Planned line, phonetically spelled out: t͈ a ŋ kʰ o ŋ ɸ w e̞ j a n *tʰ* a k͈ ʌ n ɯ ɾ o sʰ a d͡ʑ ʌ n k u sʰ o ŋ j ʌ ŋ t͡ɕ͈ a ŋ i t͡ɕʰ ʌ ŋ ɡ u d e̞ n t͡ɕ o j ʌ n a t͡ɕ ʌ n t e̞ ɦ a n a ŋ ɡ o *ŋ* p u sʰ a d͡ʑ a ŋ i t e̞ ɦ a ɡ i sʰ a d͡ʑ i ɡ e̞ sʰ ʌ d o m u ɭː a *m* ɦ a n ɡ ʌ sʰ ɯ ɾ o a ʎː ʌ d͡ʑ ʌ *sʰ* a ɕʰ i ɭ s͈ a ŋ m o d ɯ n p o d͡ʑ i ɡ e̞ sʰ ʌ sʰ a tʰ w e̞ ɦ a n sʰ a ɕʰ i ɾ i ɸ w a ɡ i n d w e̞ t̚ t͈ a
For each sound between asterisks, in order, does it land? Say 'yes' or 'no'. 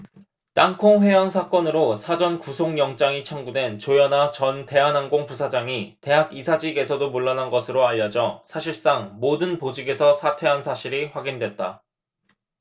no, yes, no, yes

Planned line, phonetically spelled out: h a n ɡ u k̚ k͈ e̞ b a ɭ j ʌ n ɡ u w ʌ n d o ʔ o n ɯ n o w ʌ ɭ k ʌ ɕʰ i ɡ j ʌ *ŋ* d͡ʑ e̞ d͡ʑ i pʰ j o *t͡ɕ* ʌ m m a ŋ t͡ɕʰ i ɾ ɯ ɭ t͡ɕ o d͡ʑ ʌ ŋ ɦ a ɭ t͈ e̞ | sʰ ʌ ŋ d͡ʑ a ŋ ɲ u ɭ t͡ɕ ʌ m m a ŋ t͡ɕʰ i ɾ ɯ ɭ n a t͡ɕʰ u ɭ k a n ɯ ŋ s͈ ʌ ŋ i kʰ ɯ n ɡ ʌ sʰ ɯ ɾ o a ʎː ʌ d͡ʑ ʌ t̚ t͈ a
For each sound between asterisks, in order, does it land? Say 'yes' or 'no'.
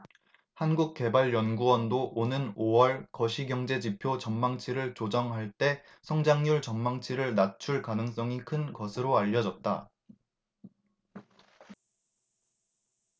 yes, yes

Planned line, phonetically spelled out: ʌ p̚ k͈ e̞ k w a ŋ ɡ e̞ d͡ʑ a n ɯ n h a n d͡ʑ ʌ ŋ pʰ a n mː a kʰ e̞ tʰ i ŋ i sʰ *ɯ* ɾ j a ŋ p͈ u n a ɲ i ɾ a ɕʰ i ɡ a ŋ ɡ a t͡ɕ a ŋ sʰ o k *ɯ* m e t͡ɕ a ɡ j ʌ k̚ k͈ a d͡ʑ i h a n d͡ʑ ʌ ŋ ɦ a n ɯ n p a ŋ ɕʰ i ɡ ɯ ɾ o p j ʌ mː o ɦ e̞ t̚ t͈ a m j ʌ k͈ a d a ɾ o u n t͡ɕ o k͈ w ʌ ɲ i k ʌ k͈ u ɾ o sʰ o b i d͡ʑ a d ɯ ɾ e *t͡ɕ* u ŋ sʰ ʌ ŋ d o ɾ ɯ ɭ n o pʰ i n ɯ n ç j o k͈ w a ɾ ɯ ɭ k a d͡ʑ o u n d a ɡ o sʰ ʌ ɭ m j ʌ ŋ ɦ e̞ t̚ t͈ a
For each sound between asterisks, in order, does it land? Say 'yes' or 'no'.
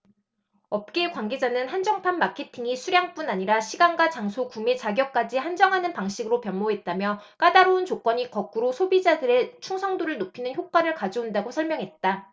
no, no, no

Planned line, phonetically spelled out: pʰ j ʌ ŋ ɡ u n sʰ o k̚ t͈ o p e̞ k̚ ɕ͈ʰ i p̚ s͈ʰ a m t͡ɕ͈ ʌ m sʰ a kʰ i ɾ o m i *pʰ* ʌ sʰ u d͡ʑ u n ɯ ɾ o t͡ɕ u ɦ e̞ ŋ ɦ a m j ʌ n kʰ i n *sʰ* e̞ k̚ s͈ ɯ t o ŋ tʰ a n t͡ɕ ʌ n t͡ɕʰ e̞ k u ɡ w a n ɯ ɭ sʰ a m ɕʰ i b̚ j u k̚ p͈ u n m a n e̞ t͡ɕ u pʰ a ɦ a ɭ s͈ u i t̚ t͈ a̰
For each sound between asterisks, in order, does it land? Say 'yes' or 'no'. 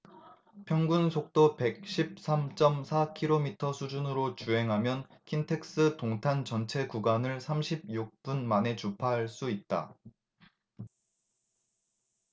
no, no

